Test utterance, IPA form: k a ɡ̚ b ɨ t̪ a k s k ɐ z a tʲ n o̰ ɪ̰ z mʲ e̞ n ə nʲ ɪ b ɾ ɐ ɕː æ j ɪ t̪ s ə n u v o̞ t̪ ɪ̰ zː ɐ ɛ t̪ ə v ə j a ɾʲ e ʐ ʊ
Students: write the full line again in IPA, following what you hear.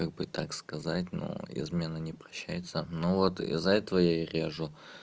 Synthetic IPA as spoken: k a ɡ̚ b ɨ t̪ a k s k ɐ z a tʲ n o̰ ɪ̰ z mʲ e̞ n ə nʲ ɪ p ɾ ɐ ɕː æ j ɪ t̪ s ə n o v o̞ t̪ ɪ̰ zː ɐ ɛ t̪ ə v ə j a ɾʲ e ʐ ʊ